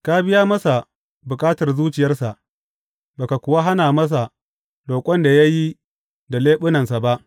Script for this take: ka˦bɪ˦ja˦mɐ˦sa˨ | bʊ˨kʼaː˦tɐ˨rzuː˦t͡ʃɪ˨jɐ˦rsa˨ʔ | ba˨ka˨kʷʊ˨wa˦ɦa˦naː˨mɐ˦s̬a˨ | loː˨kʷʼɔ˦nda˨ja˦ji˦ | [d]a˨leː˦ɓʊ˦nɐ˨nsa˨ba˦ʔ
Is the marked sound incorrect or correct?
correct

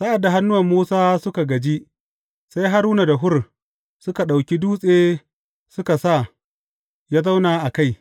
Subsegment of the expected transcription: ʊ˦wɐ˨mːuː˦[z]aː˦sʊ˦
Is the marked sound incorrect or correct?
incorrect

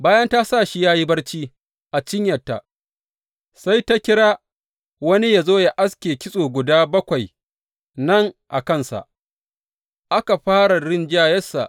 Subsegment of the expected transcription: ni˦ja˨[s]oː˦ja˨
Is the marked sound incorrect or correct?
incorrect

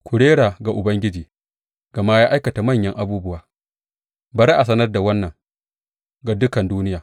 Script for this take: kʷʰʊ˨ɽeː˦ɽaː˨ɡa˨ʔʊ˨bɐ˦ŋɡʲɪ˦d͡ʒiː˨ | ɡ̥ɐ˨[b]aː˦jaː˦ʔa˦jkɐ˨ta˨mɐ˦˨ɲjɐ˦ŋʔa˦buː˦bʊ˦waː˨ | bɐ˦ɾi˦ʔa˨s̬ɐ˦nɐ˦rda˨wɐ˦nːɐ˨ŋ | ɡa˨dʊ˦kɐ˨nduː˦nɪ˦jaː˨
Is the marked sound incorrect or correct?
incorrect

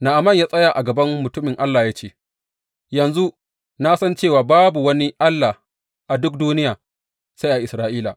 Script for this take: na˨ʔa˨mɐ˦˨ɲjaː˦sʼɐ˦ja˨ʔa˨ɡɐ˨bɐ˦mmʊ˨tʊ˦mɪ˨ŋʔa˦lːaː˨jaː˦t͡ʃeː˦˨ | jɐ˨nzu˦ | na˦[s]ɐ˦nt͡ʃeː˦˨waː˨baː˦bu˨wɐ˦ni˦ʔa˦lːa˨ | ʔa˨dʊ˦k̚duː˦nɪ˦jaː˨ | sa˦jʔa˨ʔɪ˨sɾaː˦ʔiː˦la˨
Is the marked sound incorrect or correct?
correct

